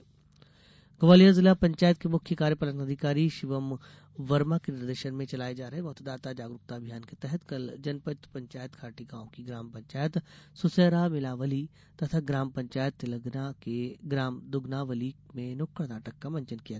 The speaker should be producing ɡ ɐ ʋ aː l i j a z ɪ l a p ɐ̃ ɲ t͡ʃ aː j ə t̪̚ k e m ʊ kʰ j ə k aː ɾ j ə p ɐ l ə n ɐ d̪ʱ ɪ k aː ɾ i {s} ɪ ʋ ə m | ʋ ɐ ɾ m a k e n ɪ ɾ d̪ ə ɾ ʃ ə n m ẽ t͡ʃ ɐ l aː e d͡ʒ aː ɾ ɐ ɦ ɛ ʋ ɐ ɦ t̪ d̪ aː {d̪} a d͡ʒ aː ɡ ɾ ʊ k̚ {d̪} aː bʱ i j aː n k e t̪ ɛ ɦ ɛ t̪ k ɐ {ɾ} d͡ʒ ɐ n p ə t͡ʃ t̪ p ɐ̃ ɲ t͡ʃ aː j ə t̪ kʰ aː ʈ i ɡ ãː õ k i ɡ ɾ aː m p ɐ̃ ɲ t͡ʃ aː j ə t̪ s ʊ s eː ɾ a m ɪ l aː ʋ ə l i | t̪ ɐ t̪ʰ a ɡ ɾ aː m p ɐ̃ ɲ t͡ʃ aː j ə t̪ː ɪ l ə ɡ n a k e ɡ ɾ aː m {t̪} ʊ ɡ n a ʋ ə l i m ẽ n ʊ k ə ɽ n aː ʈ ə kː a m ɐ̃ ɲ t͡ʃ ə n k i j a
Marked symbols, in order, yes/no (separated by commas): no, no, no, no, no